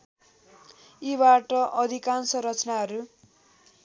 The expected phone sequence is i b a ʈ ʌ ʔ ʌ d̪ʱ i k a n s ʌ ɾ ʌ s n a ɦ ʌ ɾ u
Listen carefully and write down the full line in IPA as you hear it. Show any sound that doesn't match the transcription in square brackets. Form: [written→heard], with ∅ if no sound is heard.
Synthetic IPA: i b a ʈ ʌ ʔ ʌ d̪ʱ i k a n s ʌ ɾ ʌ [s→t͡s] n a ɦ ʌ ɾ u